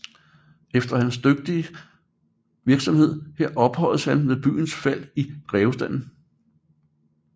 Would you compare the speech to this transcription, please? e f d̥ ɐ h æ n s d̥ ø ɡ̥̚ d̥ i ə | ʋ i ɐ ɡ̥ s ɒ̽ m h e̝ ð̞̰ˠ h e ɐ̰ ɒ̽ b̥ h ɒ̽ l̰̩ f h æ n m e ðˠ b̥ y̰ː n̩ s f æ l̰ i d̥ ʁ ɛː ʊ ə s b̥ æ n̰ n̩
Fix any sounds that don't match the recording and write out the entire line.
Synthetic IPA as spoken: e f d̥ ɐ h æ n s d̥ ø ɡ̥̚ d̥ i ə | ʋ i ɐ ɡ̥ s ɒ̽ m h e̝ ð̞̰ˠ h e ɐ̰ ɒ̽ b̥ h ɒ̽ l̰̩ s h æ n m e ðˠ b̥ y̰ː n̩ s f æ l̰ i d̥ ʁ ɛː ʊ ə s d̥ æ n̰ n̩

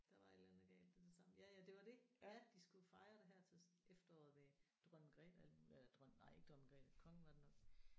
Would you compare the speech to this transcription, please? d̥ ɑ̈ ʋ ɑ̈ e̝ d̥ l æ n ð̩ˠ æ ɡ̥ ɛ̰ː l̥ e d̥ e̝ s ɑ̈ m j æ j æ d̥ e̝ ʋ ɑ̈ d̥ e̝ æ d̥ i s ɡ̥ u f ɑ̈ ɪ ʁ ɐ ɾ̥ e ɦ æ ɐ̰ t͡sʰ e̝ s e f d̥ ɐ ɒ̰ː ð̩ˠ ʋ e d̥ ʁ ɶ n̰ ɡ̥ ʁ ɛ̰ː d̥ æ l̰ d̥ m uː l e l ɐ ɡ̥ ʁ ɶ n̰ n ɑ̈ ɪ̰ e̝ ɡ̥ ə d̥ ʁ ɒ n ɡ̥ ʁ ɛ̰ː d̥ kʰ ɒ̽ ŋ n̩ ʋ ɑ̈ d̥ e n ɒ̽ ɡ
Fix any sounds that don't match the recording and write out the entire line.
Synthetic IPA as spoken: d̥ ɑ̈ ʋ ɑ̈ e̝ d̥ l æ n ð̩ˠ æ ɡ̥ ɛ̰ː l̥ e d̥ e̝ s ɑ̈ m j æ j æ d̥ e̝ ʋ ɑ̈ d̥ e̝ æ d̥ i s ɡ̥ u f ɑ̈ ɪ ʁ ɐ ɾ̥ e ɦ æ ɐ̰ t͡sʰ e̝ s e f d̥ ɐ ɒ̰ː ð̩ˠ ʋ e d̥ ʁ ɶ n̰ ɡ̥ ʁ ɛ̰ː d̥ æ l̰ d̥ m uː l e l ɐ d̥ ʁ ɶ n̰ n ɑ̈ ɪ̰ e̝ ɡ̥ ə d̥ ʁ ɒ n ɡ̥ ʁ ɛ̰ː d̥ kʰ ɒ̽ ŋ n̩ ʋ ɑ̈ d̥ e n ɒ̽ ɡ

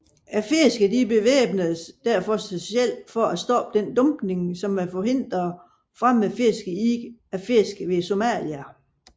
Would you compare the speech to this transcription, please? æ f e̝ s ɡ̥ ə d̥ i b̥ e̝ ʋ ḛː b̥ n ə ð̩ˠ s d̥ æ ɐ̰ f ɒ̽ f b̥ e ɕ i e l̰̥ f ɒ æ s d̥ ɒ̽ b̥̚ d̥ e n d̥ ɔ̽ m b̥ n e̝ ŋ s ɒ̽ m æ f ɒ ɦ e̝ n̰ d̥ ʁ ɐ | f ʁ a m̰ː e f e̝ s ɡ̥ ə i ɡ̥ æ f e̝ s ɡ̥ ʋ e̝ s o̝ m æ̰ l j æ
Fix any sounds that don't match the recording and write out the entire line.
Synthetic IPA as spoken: æ f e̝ s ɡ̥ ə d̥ i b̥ e̝ ʋ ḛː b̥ n ə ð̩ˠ s d̥ æ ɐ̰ f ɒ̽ s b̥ e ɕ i e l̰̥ f ɒ æ s d̥ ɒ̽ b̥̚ d̥ e n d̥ ɔ̽ m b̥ n e̝ ŋ s ɒ̽ m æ f ɒ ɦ e̝ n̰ d̥ ʁ ɐ | f ʁ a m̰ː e f e̝ s ɡ̥ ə i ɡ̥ æ f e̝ s ɡ̥ ʋ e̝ s o̝ m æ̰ l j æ

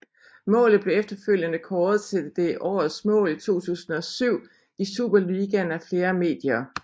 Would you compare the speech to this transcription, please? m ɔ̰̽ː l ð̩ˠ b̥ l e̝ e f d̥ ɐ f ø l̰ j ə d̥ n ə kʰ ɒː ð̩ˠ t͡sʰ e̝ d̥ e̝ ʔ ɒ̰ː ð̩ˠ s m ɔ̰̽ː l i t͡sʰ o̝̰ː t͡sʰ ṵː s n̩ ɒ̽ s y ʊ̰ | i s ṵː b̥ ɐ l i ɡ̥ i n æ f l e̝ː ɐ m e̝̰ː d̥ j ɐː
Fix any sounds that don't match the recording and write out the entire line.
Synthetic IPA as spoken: m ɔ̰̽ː l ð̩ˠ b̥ l e̝ e f d̥ ɐ f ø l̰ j ə n ə kʰ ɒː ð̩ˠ t͡sʰ e̝ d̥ e̝ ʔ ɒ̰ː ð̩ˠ s m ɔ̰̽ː l i t͡sʰ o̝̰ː t͡sʰ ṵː s n̩ ɒ̽ s y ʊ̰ | i s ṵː b̥ ɐ l i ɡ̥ æ n æ f l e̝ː ɐ m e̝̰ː d̥ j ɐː

